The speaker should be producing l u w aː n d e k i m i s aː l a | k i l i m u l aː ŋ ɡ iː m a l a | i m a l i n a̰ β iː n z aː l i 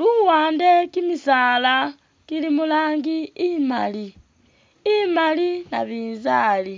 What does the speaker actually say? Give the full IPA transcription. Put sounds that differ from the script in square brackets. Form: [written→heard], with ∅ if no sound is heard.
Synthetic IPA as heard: l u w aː n d e k i m i s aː l a | k i l i m u l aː ŋ ɡ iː m a l [a→i] | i m a l i n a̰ β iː n z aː l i